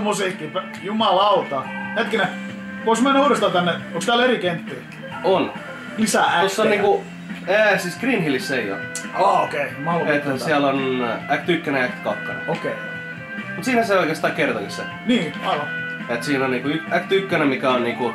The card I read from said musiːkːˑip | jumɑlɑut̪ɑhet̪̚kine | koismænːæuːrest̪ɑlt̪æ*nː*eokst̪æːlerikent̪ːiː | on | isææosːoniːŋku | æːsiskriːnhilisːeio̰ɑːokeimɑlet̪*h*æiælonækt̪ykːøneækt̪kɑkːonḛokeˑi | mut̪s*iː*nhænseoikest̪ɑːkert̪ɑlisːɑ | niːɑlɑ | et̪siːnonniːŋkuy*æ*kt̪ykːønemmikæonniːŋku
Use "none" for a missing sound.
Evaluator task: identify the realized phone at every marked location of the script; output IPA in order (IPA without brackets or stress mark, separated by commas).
nː, h, iː, æ